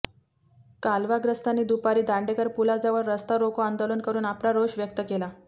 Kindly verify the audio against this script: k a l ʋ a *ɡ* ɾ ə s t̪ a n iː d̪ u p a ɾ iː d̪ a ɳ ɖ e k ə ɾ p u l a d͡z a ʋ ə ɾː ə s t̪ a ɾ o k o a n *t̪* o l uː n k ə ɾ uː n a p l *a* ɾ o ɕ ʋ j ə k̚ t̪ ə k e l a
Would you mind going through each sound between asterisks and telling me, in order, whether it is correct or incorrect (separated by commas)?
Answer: correct, incorrect, correct